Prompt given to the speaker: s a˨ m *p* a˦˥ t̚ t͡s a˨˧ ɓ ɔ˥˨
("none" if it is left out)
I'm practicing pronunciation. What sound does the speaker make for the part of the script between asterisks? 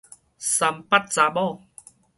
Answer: p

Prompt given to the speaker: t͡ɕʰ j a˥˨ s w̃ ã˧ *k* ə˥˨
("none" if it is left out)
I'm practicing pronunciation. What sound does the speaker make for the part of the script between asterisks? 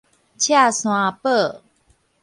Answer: p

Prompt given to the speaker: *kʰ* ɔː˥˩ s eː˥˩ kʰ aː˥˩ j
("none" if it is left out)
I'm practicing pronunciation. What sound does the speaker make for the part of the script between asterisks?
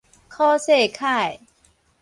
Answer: kʰ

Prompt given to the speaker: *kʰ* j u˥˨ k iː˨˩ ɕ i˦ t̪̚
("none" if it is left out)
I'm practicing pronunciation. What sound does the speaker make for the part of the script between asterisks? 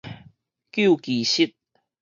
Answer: k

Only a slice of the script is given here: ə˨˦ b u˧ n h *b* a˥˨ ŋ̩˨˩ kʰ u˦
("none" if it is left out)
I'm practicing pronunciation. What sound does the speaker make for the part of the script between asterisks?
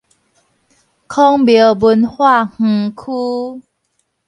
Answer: w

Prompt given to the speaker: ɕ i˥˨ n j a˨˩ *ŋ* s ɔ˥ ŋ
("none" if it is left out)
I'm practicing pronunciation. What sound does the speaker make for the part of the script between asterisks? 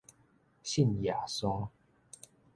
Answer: none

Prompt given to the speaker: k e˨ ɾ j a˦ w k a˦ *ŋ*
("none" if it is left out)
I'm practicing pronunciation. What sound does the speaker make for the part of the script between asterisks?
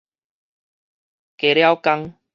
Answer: ŋ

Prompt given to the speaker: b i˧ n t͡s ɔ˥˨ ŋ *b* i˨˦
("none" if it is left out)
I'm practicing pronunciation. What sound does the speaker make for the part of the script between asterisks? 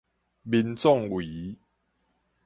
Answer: w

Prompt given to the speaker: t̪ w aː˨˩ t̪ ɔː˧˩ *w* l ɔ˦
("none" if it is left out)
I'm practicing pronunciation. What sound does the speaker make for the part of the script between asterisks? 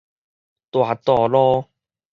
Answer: none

